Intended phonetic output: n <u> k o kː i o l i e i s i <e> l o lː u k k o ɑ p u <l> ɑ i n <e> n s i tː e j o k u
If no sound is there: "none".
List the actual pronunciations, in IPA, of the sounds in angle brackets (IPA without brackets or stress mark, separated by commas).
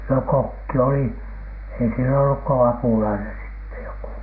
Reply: o, e, l, e